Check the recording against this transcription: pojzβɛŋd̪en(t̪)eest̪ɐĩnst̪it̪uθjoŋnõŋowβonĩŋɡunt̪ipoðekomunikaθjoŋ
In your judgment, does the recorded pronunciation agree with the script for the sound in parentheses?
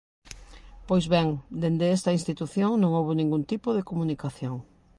no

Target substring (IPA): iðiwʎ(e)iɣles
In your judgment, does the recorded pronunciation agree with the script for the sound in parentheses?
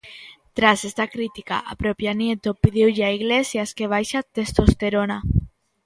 no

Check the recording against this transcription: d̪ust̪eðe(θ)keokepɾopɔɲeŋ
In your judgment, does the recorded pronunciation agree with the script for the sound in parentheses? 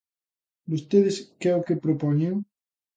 no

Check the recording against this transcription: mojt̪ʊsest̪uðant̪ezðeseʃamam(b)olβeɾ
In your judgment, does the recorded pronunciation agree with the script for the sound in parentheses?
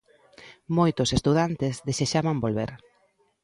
yes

